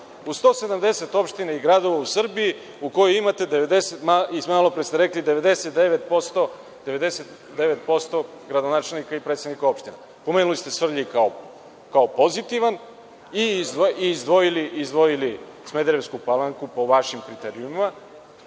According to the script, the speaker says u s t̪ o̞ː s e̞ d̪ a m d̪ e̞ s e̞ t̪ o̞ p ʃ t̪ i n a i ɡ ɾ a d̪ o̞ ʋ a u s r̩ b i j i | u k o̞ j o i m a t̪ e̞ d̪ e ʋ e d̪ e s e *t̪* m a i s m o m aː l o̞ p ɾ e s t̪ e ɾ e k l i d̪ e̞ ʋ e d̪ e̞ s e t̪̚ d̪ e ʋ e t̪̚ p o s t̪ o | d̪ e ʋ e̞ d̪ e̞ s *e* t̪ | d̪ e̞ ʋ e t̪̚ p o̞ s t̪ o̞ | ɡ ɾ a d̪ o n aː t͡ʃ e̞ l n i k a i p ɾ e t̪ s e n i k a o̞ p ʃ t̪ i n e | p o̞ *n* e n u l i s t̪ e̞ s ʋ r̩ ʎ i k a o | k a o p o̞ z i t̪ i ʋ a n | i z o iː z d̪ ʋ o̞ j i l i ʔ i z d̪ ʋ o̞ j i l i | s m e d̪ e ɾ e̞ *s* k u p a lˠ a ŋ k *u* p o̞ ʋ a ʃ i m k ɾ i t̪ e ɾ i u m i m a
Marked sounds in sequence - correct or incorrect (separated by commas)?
correct, correct, incorrect, correct, correct